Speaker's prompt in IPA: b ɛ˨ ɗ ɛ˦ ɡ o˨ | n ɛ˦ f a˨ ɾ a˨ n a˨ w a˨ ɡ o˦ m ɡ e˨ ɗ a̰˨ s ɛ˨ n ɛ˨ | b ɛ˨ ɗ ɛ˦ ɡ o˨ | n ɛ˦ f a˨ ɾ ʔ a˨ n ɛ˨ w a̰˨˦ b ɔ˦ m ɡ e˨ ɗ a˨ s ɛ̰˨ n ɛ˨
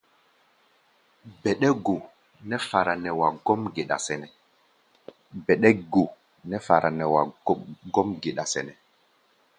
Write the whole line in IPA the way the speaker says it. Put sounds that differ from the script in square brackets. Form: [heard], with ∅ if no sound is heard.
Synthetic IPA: b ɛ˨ ɗ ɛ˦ ɡ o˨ | n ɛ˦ f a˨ ɾ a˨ n [ɛ˨] w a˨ ɡ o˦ m ɡ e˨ ɗ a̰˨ s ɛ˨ n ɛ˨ | b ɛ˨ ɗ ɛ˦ ɡ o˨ | n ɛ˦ f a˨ ɾ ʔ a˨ n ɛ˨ w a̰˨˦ [ɡ] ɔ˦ m ɡ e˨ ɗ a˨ s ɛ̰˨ n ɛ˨